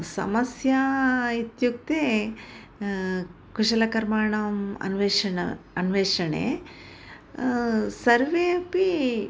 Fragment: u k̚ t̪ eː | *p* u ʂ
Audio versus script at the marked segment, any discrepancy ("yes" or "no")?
yes